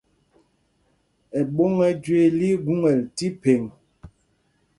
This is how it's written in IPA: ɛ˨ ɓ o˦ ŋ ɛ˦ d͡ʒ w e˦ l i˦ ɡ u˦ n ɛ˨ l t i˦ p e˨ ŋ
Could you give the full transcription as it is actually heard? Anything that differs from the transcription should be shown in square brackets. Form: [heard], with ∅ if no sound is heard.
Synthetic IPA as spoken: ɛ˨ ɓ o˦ ŋ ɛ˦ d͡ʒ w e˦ l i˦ ɡ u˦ [ŋ] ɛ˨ l t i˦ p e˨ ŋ